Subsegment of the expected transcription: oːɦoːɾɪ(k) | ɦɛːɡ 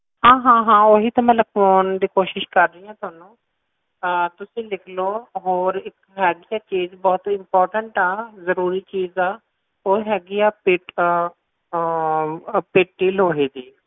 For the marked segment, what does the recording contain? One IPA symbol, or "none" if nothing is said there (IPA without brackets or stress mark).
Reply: k